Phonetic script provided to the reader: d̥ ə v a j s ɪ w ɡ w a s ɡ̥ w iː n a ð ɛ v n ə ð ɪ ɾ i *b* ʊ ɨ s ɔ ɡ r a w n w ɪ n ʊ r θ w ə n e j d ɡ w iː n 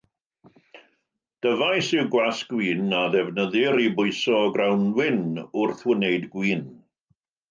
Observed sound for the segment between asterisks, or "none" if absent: b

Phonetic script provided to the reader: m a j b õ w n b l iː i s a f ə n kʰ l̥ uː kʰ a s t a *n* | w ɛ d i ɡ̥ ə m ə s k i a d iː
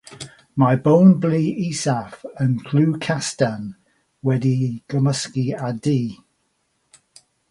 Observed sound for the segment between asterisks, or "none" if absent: n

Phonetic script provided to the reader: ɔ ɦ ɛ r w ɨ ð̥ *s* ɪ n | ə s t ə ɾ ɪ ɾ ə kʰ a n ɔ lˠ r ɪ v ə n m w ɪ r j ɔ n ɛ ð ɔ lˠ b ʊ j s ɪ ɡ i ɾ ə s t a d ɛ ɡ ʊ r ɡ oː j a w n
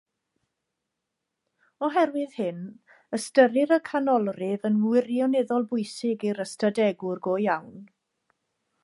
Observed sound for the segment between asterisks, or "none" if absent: h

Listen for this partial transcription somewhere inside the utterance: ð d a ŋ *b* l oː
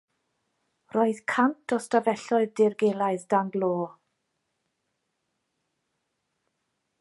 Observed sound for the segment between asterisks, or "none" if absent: ɡ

